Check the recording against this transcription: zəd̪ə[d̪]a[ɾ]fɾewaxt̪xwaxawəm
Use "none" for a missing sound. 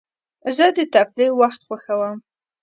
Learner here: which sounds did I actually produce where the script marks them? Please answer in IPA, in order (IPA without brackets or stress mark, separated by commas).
t̪, none